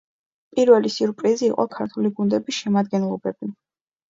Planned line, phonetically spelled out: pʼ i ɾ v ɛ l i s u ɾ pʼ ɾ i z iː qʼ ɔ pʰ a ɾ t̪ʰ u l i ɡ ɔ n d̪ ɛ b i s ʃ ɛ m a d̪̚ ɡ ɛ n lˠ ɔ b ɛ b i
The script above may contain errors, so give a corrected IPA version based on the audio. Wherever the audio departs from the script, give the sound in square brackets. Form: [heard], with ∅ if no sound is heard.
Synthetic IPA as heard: pʼ i ɾ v ɛ l i s u ɾ pʼ ɾ i z iː qʼ ɔ [kʰ] a ɾ t̪ʰ u l i ɡ [u] n d̪ ɛ b i s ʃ ɛ m a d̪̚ ɡ ɛ n lˠ ɔ b ɛ b i